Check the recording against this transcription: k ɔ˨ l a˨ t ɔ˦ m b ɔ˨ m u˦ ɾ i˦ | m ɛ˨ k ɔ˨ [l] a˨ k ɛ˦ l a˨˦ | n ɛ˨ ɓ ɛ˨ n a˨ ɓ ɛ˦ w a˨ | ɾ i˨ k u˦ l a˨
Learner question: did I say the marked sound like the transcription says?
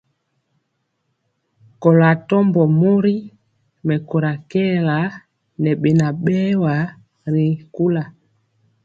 no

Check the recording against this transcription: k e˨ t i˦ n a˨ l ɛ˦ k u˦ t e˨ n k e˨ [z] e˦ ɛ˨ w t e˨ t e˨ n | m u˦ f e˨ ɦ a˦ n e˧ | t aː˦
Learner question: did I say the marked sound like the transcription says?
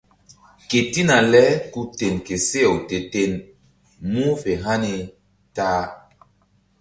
no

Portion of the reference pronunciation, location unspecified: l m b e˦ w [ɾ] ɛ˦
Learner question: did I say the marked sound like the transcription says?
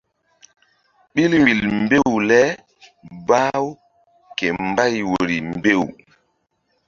no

